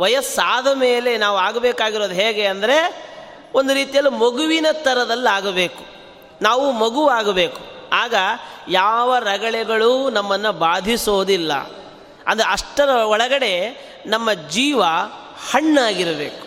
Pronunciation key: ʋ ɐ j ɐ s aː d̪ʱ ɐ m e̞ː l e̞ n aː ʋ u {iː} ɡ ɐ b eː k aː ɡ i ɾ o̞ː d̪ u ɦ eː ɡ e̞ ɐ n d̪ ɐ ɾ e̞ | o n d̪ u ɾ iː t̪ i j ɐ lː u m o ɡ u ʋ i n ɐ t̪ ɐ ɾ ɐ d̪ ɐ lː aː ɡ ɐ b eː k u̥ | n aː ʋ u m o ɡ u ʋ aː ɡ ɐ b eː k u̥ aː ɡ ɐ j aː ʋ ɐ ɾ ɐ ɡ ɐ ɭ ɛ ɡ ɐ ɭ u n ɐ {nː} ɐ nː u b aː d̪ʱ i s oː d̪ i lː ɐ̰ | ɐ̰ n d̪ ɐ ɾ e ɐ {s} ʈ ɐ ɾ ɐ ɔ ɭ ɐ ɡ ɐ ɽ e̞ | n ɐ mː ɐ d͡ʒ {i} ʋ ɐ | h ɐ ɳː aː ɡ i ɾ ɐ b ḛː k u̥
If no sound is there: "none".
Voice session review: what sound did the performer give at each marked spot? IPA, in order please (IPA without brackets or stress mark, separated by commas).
aː, mː, ʂ, iː